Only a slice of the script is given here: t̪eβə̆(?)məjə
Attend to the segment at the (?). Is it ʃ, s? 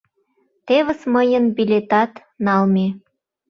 s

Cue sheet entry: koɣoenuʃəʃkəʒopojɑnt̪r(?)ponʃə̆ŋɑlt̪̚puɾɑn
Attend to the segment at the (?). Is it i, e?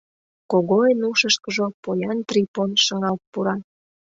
i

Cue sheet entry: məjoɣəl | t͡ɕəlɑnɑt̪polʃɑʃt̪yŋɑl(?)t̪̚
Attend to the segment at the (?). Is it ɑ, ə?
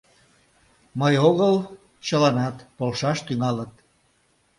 ə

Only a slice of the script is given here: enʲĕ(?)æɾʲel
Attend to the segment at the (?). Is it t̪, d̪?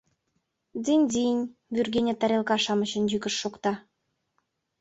t̪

